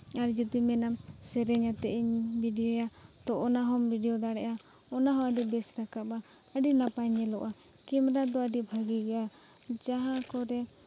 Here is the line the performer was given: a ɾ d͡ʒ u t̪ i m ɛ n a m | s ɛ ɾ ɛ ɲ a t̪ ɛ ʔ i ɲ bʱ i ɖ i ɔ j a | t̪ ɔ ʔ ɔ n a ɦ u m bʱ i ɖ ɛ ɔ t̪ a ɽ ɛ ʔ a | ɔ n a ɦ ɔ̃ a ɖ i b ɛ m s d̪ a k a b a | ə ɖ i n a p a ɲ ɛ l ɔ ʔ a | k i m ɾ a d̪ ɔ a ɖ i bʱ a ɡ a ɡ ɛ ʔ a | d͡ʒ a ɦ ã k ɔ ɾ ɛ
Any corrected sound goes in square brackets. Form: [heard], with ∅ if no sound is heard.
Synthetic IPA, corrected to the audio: a ɾ d͡ʒ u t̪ i m ɛ n a m | s ɛ ɾ ɛ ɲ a t̪ ɛ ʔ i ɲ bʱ i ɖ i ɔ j a | t̪ ɔ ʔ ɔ n a ɦ [ɔ] m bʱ i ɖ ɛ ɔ [d̪] a ɽ ɛ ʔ a | ɔ n a ɦ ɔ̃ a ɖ i b ɛ [∅] s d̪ a k a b a | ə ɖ i n a p a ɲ ɛ l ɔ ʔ a | k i m ɾ a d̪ ɔ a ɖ i bʱ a ɡ [i] ɡ ɛ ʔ a | d͡ʒ a ɦ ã k ɔ ɾ ɛ